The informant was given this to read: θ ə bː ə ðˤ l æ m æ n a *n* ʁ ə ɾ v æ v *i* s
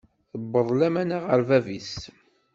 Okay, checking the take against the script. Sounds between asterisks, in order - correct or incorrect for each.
incorrect: none, correct

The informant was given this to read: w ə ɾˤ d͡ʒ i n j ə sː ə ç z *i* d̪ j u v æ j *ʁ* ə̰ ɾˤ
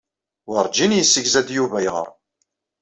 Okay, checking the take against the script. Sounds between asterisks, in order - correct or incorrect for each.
incorrect: æ, correct

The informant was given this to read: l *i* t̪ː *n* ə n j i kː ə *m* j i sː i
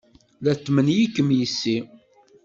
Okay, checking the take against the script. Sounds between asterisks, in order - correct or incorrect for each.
incorrect: æ, incorrect: m, correct

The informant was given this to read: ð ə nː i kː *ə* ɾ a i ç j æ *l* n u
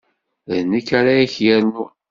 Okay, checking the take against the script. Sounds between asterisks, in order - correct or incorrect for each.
incorrect: a, incorrect: ɾ

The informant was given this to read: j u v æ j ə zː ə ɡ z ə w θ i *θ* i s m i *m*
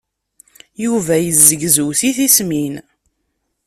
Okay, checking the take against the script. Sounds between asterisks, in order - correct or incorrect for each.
correct, incorrect: n

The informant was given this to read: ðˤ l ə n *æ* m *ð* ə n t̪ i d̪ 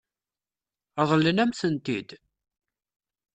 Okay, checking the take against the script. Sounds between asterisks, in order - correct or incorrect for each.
correct, incorrect: θ

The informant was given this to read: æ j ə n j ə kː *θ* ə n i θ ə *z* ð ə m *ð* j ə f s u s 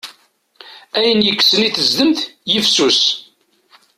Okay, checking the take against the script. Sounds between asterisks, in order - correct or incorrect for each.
incorrect: s, correct, incorrect: θ

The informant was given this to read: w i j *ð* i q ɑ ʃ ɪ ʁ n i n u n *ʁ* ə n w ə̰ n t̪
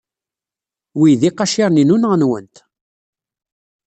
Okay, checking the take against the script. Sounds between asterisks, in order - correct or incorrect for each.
correct, correct

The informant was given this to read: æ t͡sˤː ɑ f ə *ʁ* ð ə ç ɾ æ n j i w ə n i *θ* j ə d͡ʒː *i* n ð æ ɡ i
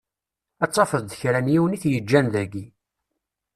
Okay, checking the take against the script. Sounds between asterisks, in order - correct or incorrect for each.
incorrect: ð, correct, incorrect: æ

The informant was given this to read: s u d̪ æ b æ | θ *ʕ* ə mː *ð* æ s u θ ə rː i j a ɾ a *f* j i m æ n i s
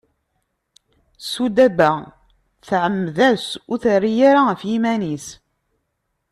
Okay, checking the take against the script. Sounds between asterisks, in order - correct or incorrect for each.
correct, correct, correct

